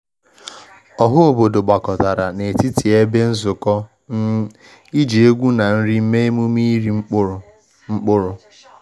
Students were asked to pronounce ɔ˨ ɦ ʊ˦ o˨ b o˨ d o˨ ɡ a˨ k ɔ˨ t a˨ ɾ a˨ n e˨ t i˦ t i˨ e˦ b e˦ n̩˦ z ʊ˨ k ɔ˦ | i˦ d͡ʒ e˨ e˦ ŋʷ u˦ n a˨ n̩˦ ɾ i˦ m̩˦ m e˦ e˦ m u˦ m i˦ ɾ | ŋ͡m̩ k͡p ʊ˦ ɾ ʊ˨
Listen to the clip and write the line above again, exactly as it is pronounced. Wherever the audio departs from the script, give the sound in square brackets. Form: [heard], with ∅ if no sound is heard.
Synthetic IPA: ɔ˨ ɦ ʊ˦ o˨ b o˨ d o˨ [ɡ͡b] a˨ k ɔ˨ t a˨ ɾ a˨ n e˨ t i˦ t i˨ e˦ b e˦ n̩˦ z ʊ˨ k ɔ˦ | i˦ d͡ʒ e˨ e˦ [ɡʷ] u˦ n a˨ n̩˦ ɾ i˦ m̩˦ m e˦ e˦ m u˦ m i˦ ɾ | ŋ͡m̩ k͡p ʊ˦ ɾ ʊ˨